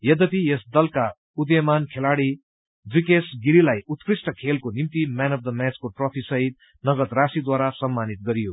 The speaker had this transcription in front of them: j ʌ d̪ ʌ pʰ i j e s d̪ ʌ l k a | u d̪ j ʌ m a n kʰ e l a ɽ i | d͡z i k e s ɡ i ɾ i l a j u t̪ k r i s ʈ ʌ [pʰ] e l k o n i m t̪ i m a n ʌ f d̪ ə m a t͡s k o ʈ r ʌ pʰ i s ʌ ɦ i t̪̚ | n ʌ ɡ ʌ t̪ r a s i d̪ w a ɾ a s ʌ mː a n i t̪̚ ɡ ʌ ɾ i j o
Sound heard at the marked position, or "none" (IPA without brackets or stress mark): kʰ